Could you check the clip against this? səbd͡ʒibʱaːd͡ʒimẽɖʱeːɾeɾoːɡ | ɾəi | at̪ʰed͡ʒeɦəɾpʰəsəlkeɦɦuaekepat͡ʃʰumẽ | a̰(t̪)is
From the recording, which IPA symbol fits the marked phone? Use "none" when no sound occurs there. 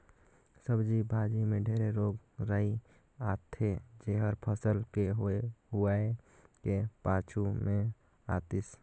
t̪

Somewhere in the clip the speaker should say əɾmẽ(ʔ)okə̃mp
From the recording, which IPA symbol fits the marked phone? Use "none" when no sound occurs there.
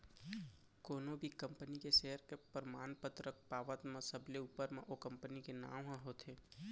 ʔ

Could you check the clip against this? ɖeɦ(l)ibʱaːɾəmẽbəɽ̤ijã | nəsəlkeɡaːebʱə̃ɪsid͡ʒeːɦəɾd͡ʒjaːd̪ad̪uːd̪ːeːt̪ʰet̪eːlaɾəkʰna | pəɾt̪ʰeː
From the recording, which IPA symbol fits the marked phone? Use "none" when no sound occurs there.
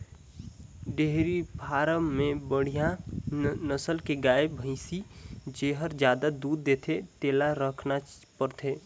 ɾ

